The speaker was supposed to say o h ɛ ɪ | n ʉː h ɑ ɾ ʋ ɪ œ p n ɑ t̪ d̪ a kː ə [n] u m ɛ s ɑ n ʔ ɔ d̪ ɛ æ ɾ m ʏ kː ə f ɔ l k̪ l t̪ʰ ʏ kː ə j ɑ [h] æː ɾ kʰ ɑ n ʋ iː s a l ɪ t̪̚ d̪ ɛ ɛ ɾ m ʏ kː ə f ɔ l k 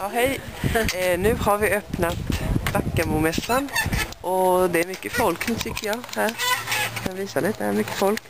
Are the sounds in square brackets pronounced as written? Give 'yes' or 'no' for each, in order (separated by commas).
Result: no, yes